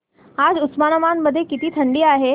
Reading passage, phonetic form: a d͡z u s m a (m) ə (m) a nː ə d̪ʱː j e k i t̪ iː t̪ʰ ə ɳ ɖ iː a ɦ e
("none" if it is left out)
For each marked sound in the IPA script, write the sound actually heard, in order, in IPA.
n, m

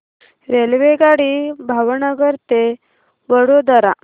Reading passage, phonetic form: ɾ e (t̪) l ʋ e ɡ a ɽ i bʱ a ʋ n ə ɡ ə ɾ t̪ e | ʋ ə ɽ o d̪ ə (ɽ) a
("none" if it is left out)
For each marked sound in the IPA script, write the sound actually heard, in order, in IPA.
none, ɾ

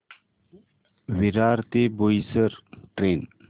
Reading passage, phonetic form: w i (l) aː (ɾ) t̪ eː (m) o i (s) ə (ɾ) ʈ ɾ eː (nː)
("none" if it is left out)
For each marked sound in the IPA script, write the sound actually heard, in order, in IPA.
ɾ, ɾ, b, s, ɾ, n

